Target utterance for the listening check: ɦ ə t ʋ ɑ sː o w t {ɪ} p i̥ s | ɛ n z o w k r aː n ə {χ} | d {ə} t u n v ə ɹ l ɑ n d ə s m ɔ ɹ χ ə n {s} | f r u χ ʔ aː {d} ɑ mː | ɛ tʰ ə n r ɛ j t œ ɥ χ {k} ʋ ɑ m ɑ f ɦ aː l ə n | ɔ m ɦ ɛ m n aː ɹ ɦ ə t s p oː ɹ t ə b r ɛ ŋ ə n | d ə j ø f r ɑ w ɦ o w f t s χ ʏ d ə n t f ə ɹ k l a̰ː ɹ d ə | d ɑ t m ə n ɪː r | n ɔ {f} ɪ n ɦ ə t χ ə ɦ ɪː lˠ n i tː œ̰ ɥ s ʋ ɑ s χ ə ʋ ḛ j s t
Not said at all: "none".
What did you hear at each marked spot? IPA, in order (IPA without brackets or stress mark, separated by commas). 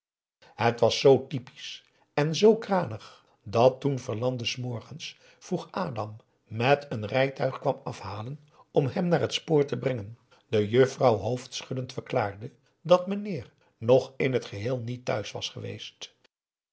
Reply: i, χ, ɑ, s, d, k, χ